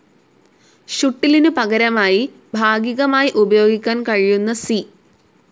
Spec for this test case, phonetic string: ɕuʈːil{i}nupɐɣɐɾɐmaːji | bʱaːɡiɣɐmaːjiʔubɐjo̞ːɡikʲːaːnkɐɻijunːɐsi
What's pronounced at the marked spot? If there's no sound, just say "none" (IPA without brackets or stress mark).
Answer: i